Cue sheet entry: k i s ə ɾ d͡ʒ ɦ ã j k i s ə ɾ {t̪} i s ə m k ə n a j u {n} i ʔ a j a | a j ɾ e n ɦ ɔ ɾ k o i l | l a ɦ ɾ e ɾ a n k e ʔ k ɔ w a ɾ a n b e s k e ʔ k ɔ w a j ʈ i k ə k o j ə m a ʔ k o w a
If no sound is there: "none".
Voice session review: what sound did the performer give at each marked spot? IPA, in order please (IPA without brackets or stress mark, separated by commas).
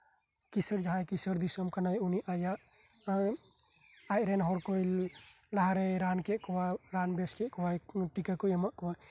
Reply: d̪, n